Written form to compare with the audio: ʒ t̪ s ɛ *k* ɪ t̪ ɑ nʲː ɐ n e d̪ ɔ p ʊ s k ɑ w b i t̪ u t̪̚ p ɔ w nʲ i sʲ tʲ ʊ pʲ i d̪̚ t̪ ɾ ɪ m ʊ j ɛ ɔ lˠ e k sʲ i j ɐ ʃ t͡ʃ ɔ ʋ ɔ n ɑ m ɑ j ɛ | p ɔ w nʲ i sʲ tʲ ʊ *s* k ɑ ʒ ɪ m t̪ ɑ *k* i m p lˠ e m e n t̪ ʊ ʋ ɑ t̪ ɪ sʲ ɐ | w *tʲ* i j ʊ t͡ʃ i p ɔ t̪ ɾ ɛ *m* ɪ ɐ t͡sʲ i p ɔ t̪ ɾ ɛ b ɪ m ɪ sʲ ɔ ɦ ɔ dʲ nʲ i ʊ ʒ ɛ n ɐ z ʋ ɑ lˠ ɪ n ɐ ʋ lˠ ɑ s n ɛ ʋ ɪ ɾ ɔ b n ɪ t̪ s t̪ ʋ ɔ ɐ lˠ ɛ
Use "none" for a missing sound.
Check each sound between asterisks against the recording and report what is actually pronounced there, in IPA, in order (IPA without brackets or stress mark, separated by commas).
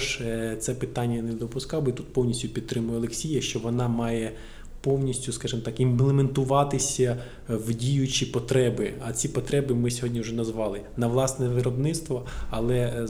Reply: p, s, k, dʲ, b